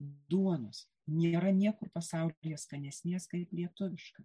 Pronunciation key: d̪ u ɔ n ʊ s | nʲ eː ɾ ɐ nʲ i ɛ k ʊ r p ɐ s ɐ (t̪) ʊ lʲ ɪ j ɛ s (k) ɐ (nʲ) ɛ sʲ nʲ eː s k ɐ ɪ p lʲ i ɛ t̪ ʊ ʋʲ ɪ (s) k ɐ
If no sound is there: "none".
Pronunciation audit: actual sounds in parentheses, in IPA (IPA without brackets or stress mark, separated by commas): none, k, nʲ, ʃ